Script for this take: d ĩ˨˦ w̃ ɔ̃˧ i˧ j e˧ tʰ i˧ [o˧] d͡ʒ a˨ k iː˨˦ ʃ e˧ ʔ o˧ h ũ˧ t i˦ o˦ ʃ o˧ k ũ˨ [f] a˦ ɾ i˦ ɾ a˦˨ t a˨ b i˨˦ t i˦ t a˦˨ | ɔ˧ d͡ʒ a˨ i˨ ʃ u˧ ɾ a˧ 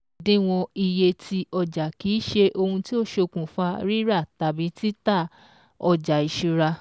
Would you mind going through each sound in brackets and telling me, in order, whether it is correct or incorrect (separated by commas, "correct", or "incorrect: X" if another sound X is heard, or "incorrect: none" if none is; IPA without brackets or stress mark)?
incorrect: ɔ˧, correct